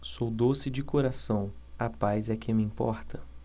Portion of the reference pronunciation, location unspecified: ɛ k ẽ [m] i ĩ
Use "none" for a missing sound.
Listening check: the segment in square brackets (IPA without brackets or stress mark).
m